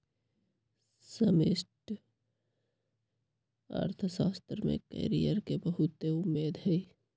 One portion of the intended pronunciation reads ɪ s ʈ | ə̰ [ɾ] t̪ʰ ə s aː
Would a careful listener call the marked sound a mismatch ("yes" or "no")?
no